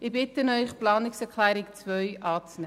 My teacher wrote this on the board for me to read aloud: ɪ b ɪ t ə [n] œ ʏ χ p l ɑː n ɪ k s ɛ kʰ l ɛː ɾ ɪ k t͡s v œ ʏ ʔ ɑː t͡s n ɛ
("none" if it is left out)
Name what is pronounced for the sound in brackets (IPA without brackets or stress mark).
n